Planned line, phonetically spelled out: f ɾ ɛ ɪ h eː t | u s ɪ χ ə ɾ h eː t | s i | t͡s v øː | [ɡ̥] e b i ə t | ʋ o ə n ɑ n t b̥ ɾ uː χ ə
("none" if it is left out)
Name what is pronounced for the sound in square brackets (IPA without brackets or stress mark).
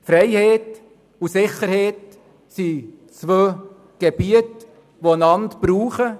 ɡ̥